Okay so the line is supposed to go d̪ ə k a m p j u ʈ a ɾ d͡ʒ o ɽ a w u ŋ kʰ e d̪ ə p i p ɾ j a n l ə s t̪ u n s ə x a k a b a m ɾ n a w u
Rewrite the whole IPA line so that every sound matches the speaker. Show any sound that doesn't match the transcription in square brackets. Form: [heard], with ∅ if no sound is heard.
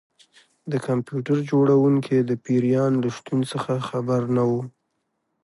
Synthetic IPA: d̪ ə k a m p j u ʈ a ɾ d͡ʒ o ɽ a w u ŋ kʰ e d̪ ə p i [∅] ɾ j [ɑ] n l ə [ʃ] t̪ u n s ə x a [x] a b a [∅] ɾ n a w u